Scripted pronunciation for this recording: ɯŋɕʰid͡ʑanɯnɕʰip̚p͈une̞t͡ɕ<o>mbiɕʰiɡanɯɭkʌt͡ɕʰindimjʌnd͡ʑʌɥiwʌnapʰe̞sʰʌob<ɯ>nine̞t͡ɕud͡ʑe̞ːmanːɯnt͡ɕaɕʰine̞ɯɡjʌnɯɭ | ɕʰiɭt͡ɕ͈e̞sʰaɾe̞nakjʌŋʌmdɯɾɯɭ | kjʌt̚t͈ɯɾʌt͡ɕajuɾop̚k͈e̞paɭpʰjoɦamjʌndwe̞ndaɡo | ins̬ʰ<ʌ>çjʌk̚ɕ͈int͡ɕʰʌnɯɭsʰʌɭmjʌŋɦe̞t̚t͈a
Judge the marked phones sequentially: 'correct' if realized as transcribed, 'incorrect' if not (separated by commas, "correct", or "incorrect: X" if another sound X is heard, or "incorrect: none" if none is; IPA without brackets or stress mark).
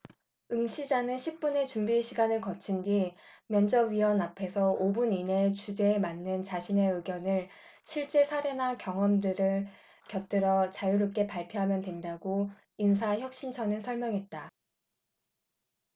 incorrect: u, incorrect: u, incorrect: a